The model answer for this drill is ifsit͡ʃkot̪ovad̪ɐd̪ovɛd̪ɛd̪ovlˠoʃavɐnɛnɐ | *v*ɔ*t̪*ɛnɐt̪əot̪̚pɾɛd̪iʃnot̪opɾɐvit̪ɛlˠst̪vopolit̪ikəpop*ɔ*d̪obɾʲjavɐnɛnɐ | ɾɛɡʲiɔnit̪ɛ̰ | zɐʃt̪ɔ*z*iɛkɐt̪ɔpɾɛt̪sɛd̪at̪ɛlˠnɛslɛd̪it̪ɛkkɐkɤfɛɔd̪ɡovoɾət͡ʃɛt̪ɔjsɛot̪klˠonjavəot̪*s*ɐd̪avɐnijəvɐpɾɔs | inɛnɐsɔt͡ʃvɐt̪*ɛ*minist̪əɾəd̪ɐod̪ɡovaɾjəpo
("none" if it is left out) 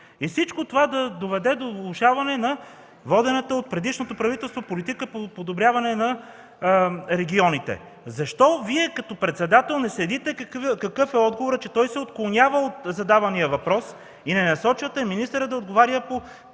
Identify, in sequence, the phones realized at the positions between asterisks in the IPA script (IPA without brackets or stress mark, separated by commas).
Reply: v, d̪, o, v, z, ɛ